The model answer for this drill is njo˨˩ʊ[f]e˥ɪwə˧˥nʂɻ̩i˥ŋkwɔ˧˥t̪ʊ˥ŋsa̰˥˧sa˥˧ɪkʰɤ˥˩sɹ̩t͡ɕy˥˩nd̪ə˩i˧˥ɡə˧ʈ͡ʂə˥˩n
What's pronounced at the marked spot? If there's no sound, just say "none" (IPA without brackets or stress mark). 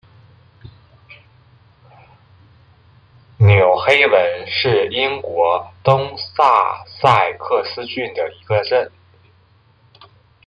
x